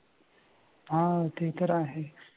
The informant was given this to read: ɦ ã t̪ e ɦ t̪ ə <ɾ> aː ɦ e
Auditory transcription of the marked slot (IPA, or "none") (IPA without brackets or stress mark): ɾ